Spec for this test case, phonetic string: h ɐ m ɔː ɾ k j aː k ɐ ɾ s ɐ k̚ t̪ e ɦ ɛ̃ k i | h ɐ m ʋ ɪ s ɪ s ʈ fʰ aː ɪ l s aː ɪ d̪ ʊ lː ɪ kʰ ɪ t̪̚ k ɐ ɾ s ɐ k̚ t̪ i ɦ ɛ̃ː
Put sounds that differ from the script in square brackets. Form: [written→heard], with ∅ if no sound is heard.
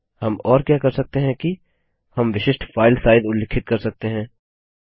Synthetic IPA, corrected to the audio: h ɐ m ɔː ɾ k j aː k ɐ ɾ s ɐ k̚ t̪ e ɦ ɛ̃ k i | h ɐ m ʋ ɪ [s→ʃ] ɪ [s→ʃ] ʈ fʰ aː ɪ l s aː ɪ d̪ ʊ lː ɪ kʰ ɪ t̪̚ k ɐ ɾ s ɐ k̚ t̪ [i→e] ɦ ɛ̃ː